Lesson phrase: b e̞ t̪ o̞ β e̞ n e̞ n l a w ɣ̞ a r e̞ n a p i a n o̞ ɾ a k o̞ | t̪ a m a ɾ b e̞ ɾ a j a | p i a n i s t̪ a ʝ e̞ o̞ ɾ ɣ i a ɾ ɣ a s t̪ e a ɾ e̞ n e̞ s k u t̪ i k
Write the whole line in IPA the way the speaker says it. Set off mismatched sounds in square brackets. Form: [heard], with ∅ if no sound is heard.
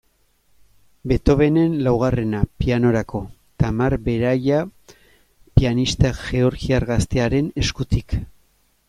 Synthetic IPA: b e̞ t̪ o̞ β e̞ n e̞ n l a w ɣ̞ a r e̞ n a p i a n o̞ ɾ a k o̞ | t̪ a m a ɾ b e̞ ɾ a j a | p i a n i s t̪ a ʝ e̞ o̞ ɾ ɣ i a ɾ ɣ a s t̪ e a ɾ e̞ n e̞ s k u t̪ i k